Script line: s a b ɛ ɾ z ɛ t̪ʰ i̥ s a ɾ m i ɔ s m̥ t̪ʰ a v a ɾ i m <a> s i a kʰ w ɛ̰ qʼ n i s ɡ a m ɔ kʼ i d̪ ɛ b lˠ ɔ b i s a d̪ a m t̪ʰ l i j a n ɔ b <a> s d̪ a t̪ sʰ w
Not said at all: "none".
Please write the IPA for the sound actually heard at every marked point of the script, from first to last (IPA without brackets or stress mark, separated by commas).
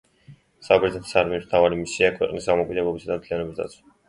i, i